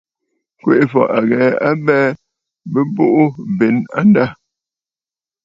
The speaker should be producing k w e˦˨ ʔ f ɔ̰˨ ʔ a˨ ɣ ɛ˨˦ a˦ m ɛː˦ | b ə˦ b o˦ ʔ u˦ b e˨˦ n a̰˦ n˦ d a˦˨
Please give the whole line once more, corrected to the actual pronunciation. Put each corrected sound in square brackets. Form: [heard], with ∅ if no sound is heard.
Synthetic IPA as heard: k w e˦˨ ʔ f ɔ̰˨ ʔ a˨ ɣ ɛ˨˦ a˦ [b] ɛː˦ | b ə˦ b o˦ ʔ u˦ b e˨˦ n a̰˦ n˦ d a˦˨